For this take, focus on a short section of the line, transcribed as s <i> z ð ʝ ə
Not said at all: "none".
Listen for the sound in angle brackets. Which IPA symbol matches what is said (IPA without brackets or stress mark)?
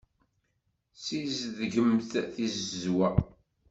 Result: i